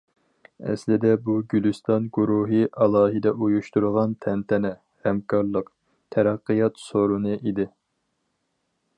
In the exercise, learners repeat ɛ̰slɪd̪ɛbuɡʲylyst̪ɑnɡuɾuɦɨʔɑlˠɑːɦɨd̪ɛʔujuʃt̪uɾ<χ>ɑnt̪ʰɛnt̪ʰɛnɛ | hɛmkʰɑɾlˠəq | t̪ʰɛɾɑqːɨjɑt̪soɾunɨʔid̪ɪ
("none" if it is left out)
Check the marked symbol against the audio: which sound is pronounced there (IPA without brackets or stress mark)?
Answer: ʁ